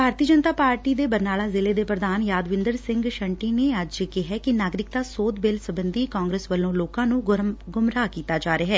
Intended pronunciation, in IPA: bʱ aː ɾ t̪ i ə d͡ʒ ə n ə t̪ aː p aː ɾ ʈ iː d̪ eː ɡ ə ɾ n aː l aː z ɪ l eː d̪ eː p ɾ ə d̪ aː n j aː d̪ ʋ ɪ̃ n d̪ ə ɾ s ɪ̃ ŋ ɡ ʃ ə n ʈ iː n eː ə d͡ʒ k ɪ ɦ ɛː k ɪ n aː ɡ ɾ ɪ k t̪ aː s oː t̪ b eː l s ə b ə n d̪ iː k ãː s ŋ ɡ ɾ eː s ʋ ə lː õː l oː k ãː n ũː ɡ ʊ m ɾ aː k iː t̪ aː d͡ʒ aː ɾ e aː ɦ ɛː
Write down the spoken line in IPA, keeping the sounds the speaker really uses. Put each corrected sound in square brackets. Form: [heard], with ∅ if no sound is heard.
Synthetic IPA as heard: bʱ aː ɾ t̪ i ə d͡ʒ ə n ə t̪ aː p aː ɾ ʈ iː d̪ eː [b] ə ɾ n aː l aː z ɪ l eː d̪ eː p ɾ ə d̪ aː n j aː d̪ ʋ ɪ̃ n d̪ ə ɾ s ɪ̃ ŋ ɡ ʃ ə [ɳ] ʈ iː n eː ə d͡ʒ k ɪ ɦ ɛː k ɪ n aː ɡ ɾ ɪ k t̪ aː s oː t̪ b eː l s ə b ə n d̪ iː k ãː [∅] ŋ ɡ ɾ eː s ʋ ə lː õː l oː k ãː n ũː ɡ ʊ m ɾ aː k iː t̪ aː d͡ʒ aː ɾ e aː ɦ ɛː